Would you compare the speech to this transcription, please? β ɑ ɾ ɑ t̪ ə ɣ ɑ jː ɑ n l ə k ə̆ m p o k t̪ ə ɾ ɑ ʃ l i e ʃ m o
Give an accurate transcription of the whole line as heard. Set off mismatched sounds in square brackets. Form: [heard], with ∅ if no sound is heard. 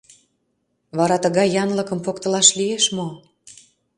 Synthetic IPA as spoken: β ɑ ɾ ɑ t̪ ə ɣ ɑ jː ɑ n l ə k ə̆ m p o k t̪ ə [l] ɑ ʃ l i e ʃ m o